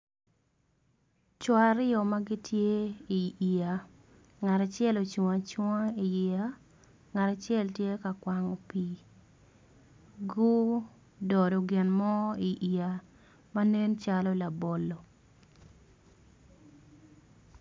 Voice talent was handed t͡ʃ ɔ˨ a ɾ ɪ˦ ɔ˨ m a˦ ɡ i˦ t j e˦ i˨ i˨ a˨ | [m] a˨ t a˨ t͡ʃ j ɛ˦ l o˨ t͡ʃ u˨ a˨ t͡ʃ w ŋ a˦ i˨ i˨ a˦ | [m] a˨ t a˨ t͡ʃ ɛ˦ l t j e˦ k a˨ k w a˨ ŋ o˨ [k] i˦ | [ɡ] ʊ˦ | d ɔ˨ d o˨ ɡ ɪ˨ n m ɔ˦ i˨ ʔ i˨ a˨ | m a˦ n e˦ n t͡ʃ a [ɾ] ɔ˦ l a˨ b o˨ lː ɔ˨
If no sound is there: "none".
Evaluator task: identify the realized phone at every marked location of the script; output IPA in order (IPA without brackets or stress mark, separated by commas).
ŋ, ŋ, p, ɡ, l